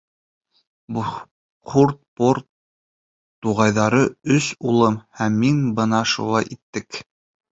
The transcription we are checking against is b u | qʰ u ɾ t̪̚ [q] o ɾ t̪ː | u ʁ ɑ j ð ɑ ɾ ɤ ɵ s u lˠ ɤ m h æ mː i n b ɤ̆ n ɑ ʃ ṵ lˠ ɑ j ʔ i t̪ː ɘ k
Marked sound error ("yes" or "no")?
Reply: yes